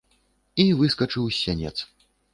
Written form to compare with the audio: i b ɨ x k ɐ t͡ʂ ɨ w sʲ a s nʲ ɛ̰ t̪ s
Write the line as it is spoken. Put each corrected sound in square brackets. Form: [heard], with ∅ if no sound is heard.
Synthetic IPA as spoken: i [v] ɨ [s] k ɐ t͡ʂ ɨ w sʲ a [∅] nʲ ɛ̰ t̪ s